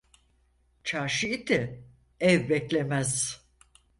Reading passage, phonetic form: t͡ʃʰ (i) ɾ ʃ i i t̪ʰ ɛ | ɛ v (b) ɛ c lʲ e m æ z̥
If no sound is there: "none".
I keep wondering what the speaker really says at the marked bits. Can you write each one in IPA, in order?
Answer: a, b

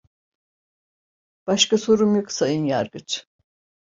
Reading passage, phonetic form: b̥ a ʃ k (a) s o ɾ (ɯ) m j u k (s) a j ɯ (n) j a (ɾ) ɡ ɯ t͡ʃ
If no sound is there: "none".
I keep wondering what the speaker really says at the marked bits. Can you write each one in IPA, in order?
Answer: a, u, s, n, ɾ

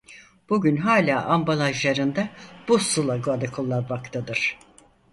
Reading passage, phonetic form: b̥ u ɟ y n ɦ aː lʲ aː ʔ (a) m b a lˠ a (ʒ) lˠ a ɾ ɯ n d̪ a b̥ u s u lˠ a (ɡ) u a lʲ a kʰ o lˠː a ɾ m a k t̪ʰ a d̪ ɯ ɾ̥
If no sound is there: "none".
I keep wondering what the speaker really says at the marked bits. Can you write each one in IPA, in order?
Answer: a, ʒ, ɡ

